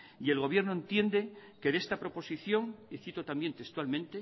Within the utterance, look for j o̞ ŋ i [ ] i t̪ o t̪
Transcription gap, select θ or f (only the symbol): θ